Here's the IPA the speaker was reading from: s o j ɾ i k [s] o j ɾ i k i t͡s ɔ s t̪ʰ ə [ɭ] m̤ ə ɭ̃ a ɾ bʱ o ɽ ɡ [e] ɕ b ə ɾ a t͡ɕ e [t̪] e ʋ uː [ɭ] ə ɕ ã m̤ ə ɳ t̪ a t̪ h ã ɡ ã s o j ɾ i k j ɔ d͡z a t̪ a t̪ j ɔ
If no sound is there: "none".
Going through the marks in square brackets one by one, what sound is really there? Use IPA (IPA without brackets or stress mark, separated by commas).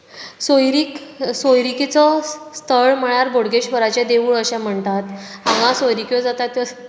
s, ɭ, e, d̪, ɭ